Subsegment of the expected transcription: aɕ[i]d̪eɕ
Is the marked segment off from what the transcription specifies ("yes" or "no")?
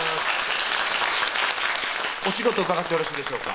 yes